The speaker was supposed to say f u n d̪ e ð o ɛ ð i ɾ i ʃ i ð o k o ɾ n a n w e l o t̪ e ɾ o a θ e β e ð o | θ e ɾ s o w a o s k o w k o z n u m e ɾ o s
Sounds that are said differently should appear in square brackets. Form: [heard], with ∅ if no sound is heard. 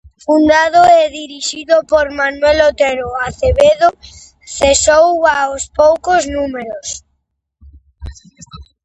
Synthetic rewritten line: f u n d̪ [a] ð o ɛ ð i ɾ i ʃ i ð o [p] o ɾ [m] a n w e l o t̪ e ɾ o a θ e β e ð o | θ e [∅] s o w a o s [p] o w k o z n u m e ɾ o s